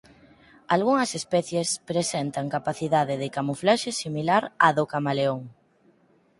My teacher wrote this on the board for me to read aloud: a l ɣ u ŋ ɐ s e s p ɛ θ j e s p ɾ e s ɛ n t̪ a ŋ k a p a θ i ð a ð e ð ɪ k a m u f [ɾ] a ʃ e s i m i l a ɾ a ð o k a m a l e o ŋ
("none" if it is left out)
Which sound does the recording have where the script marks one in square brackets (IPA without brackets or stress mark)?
l